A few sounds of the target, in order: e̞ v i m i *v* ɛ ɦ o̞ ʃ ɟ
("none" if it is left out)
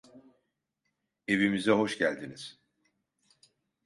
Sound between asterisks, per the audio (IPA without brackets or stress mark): z